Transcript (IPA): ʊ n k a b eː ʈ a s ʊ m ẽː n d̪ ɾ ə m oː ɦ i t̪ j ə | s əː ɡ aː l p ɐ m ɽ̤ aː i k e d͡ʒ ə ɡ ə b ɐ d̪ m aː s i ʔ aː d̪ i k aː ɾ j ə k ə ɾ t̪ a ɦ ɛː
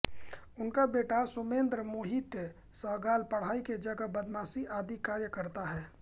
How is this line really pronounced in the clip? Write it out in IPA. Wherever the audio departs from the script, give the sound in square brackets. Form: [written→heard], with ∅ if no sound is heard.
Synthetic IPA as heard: ʊ n k a b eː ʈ a s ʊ m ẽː n d̪ ɾ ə m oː ɦ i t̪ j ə | s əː ɡ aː l p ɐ [m→∅] ɽ̤ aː i k e d͡ʒ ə ɡ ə b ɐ d̪ m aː s i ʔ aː d̪ i k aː ɾ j ə k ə ɾ t̪ a ɦ ɛː